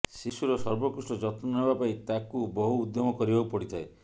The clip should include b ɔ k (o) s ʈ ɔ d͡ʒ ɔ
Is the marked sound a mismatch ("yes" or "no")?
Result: yes